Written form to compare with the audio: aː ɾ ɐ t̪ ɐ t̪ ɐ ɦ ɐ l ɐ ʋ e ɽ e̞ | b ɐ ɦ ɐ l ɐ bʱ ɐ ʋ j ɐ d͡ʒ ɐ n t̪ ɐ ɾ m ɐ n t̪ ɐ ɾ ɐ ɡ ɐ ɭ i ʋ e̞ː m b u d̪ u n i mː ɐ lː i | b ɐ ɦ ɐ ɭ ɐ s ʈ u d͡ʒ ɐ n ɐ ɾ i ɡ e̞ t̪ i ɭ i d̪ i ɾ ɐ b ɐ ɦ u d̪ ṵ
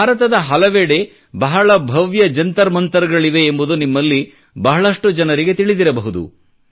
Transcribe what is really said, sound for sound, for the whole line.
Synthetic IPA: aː ɾ ɐ t̪ ɐ d̪ ɐ ɦ ɐ l ɐ ʋ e ɽ e̞ | b ɐ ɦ ɐ ɭ ɐ bʱ ɐ ʋ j ɐ d͡ʒ ɐ n t̪ ɐ ɾ m ɐ n t̪ ɐ ɾ ɐ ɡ ɐ ɭ i ʋ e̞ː m b u d̪ u n i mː ɐ lː i | b ɐ ɦ ɐ ɭ ɐ ʂ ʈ u d͡ʒ ɐ n ɐ ɾ i ɡ e̞ t̪ i ɭ i d̪ i ɾ ɐ b ɐ ɦ u d̪ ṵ